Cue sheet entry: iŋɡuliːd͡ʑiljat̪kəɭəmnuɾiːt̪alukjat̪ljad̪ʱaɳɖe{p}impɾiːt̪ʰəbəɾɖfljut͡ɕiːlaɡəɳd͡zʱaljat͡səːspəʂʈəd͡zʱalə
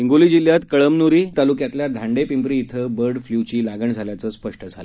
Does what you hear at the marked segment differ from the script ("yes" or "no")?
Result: no